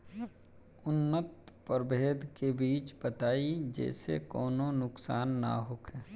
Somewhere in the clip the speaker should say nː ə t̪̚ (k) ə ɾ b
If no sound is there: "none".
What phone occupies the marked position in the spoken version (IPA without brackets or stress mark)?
p